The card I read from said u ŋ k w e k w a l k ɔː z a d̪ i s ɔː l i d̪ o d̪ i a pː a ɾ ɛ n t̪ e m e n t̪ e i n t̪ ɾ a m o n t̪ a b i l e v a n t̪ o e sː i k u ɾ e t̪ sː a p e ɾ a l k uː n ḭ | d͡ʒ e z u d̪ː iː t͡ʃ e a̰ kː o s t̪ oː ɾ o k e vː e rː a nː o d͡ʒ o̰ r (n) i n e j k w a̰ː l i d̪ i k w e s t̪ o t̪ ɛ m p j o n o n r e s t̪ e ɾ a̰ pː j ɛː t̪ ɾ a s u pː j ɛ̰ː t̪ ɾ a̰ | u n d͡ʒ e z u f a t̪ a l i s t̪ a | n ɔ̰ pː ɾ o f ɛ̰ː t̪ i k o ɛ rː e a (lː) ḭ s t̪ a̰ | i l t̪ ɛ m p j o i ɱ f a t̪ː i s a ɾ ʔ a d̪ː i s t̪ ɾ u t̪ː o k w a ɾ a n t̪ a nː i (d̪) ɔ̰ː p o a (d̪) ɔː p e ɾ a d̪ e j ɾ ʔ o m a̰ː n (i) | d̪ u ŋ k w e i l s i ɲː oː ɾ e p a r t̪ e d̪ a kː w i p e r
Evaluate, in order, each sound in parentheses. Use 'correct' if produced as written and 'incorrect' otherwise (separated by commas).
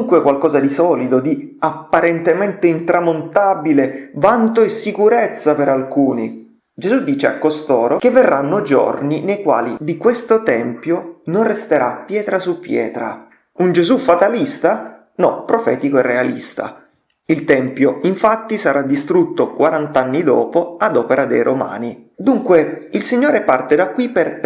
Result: correct, incorrect, correct, correct, correct